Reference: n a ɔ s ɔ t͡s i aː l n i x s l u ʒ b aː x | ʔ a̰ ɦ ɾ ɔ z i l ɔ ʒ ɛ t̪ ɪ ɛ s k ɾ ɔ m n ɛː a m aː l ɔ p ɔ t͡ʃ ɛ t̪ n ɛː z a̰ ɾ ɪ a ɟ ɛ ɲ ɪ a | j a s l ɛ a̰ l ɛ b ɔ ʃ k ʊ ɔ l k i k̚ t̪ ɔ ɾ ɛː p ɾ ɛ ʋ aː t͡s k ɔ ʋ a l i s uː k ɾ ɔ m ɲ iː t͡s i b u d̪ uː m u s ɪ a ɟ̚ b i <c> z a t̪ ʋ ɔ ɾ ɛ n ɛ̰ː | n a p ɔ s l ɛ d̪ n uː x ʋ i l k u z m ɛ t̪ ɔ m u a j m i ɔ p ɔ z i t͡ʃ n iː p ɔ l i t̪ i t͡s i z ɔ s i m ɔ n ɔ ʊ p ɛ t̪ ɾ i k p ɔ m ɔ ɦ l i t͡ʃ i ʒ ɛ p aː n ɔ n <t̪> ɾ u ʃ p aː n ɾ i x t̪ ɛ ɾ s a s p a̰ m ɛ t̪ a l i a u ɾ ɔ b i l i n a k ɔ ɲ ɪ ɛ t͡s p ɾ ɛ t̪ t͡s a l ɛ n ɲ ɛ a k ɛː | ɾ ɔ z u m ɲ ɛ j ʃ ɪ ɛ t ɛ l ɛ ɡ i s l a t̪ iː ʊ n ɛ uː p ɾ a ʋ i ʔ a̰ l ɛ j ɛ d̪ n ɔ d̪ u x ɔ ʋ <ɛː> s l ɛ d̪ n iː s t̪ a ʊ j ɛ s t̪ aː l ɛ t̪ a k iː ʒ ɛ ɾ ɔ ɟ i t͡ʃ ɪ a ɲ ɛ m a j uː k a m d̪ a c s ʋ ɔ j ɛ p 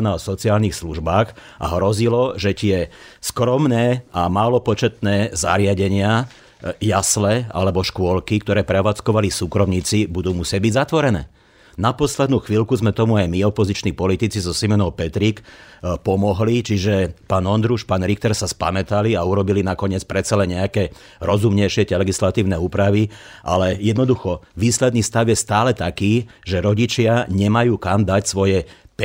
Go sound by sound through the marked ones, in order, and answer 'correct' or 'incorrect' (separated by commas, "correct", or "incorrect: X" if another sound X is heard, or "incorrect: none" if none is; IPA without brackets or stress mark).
incorrect: ɟ, incorrect: d̪, incorrect: iː